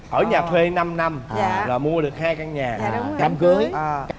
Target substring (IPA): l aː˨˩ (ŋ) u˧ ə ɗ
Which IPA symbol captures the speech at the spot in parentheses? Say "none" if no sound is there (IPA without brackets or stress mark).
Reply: m